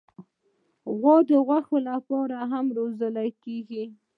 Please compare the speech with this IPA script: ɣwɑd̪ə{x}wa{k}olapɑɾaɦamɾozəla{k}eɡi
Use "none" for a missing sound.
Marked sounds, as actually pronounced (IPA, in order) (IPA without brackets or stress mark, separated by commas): ɣ, x, k